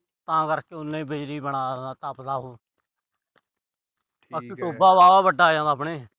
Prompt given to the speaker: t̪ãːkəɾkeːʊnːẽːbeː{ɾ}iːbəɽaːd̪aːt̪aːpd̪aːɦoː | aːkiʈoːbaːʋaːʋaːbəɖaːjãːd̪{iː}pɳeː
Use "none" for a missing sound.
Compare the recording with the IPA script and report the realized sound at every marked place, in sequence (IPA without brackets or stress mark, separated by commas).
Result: ɾ, aː